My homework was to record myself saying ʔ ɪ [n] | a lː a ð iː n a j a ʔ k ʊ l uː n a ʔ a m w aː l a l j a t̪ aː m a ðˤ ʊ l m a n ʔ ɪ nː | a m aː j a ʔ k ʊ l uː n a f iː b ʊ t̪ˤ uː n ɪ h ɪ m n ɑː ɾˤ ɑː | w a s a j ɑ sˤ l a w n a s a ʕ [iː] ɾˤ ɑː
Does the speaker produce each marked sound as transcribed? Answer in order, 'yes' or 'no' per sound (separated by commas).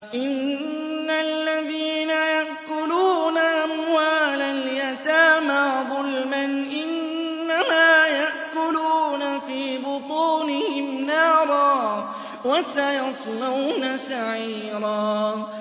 no, yes